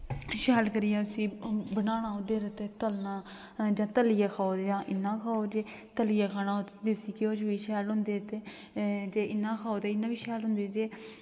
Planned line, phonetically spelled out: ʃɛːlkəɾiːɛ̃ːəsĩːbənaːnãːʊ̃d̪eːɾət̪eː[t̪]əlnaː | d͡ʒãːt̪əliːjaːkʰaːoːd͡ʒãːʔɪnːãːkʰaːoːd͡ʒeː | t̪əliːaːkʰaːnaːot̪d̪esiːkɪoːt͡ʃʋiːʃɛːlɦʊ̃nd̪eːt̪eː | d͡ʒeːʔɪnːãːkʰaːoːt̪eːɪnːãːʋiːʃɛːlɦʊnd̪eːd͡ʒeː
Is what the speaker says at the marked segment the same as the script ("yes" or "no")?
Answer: yes